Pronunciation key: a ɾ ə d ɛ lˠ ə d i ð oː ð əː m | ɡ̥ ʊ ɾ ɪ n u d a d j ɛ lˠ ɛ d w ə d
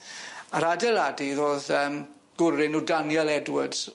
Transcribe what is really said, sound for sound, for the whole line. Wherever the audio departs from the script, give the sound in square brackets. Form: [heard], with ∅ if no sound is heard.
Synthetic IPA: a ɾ [a] d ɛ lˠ [a] d i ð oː ð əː m | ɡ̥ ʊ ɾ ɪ n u d a [n] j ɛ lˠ ɛ d w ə d